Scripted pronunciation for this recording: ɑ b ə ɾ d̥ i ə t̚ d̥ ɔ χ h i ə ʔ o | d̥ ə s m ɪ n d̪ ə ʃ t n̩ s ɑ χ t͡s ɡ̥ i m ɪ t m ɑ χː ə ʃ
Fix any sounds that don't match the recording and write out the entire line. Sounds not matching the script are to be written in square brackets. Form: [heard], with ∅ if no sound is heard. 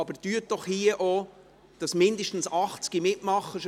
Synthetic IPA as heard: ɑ b ə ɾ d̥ [y] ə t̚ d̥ ɔ χ h i ə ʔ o | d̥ [ɑ] s m ɪ n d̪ ə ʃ t n̩ s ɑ χ t͡s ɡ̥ i m ɪ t m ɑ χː ə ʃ